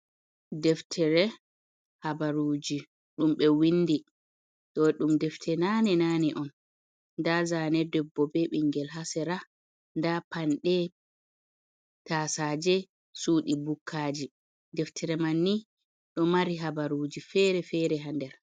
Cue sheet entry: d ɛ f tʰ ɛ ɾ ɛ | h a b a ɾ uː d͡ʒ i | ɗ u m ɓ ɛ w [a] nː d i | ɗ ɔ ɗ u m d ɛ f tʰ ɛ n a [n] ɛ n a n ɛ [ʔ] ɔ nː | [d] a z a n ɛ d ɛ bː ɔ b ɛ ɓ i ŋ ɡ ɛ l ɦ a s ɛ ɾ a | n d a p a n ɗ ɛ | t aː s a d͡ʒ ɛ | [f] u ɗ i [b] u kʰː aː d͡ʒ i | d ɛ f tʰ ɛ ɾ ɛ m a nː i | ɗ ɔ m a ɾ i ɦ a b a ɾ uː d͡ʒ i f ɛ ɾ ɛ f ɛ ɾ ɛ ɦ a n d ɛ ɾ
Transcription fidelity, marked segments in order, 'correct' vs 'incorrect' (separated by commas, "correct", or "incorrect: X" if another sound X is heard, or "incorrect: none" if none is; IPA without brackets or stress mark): incorrect: i, correct, correct, correct, incorrect: s, correct